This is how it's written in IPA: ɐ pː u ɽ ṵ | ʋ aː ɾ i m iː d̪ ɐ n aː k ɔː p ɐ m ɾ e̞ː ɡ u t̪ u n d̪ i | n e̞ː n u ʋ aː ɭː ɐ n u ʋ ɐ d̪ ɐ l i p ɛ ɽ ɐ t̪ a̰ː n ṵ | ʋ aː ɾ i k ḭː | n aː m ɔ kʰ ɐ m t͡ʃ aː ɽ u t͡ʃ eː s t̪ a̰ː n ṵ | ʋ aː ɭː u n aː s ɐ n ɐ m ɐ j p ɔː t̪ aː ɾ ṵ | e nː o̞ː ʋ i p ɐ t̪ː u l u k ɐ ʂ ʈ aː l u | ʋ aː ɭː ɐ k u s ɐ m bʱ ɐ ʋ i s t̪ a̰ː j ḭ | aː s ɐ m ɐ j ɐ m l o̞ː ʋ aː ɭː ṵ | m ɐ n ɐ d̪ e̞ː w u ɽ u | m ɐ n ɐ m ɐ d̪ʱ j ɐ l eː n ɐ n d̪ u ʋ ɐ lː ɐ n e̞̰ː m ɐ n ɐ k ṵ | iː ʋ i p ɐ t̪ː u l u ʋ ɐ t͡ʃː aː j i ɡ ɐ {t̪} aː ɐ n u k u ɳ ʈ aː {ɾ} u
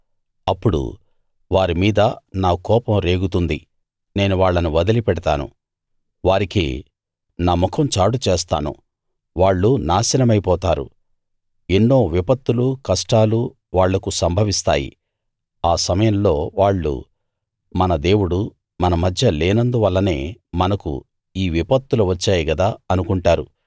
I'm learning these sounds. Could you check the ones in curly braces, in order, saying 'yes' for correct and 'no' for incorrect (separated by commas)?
no, yes